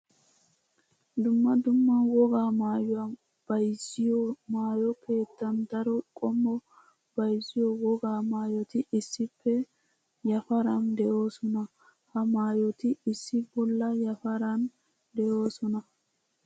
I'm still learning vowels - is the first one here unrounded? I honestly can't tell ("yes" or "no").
no